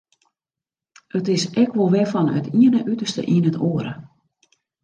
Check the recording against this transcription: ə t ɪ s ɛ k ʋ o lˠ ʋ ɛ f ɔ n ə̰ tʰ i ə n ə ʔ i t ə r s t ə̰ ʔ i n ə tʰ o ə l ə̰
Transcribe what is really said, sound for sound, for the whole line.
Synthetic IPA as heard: ə t ɪ s ɛ k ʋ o lˠ ʋ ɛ f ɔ n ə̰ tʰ i ə n ə ʔ y t ə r s t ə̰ ʔ i n ə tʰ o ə ɾ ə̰